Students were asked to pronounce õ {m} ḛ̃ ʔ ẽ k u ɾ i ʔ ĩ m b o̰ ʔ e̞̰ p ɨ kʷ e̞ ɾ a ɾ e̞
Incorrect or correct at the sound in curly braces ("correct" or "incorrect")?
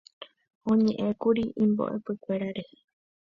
incorrect